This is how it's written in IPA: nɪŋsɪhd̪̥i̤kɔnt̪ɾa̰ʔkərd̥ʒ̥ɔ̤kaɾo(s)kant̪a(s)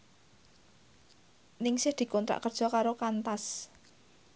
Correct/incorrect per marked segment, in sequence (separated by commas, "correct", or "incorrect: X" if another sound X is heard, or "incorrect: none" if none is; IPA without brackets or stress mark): incorrect: none, correct